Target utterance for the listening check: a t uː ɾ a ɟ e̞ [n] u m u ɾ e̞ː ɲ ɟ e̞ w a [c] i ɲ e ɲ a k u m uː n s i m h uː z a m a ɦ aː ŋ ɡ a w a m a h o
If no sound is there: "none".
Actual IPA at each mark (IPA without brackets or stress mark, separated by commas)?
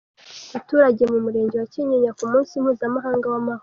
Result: m, c